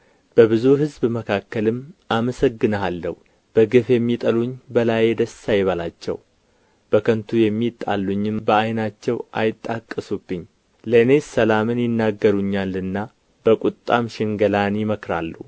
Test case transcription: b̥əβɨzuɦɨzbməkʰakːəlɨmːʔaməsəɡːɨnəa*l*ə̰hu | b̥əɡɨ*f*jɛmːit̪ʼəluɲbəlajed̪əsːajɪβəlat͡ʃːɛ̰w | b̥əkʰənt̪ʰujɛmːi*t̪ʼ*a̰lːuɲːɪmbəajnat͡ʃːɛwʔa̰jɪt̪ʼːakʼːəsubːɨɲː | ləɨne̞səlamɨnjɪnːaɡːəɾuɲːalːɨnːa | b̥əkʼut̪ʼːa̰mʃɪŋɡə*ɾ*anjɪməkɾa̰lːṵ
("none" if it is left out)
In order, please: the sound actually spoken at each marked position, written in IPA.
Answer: lː, f, t̪ʼ, l

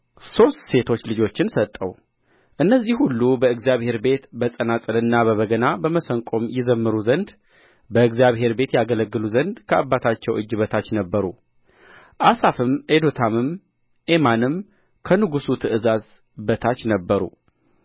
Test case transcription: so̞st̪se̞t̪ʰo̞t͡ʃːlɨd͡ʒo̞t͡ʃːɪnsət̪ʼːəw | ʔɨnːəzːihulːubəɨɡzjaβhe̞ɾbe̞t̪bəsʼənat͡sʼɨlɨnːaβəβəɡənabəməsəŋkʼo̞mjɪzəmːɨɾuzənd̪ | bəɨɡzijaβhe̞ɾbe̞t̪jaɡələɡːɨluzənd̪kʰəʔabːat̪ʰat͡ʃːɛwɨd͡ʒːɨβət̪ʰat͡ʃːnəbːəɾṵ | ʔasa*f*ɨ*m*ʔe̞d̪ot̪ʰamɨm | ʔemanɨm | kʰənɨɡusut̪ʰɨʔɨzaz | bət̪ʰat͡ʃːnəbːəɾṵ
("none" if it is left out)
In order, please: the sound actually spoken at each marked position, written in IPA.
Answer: f, m

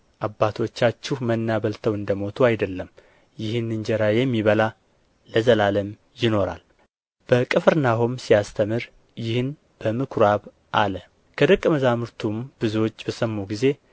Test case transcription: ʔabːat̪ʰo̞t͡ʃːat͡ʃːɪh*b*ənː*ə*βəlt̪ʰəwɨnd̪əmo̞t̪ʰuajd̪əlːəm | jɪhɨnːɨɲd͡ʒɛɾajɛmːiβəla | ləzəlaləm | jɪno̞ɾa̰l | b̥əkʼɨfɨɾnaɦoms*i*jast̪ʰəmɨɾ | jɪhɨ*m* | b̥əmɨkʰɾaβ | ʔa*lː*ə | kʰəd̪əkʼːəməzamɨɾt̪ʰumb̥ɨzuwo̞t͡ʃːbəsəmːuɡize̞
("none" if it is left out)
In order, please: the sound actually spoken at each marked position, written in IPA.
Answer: m, a, i, n, l

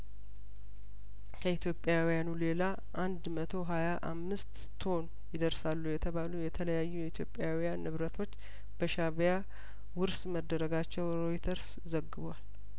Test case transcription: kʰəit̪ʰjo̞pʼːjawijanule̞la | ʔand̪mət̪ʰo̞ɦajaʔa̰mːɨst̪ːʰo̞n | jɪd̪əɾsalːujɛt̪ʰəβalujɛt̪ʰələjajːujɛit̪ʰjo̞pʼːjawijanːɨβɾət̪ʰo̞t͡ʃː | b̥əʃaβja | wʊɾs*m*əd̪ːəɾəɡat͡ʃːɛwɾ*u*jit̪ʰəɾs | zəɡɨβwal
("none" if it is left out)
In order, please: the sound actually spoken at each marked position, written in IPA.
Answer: m, o

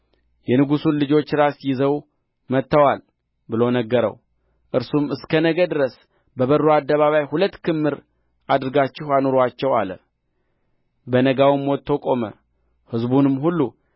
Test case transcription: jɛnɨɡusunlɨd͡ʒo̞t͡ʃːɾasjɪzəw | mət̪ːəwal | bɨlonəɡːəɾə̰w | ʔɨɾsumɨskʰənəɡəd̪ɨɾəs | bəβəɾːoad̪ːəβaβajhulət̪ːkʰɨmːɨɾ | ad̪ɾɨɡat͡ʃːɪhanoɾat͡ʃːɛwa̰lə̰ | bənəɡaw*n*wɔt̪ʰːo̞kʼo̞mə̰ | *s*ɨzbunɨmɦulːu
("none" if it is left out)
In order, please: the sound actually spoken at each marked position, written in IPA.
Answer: m, h

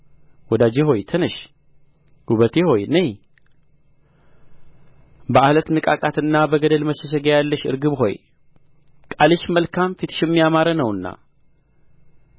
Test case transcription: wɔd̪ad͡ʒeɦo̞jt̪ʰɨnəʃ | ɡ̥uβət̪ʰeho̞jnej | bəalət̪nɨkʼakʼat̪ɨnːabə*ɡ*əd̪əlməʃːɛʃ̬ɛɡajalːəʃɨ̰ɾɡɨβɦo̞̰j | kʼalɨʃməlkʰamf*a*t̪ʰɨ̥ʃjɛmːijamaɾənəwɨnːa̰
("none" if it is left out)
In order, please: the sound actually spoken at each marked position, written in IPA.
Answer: ɡ, i

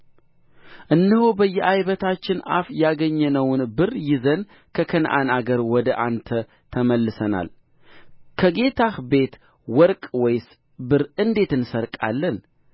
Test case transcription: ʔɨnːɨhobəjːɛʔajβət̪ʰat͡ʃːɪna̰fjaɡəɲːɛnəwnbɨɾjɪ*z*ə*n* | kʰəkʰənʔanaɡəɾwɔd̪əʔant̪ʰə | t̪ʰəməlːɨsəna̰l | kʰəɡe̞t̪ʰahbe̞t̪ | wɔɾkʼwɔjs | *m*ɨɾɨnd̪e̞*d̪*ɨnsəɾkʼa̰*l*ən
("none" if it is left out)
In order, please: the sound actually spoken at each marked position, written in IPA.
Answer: z, n, b, t̪, lː

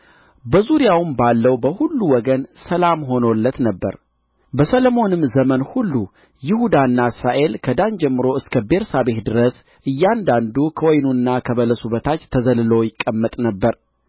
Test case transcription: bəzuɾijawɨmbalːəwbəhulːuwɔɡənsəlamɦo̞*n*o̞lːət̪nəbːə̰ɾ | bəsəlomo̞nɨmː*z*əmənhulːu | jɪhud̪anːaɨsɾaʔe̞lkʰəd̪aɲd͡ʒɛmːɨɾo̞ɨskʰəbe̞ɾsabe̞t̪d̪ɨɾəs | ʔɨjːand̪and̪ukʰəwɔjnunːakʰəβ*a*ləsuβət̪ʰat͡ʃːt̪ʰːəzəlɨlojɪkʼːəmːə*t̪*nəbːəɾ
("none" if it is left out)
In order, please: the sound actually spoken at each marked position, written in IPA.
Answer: n, z, ə, t̪ʼ

